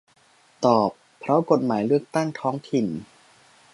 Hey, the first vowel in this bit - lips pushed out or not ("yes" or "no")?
yes